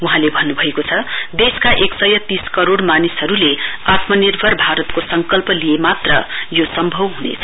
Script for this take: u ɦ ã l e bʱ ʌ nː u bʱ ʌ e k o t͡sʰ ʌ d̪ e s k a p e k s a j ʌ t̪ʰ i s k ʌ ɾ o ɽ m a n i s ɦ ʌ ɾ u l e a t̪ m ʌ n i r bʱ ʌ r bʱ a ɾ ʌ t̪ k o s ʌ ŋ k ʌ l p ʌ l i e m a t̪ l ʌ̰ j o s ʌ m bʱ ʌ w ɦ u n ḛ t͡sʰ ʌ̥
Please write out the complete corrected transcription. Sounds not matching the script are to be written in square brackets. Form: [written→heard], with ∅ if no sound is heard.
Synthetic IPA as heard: u ɦ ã l e bʱ ʌ nː u bʱ ʌ e k o t͡sʰ ʌ d̪ e s k a [p→ʔ] e k s [a→ʌ] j ʌ [t̪ʰ→t̪] i s k ʌ ɾ o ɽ m a n i s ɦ ʌ ɾ u l e a t̪ m ʌ n i r bʱ ʌ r bʱ a ɾ ʌ t̪ k o s ʌ ŋ k ʌ l p ʌ l i e m a t̪ [l→r] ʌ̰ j o s ʌ m bʱ ʌ w ɦ u n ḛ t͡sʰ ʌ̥